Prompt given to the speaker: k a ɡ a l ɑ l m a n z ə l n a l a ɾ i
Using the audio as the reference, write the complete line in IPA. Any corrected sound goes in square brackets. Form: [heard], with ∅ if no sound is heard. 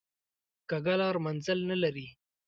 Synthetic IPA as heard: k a ɡ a l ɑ [ɾ] m a n z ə l n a l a ɾ i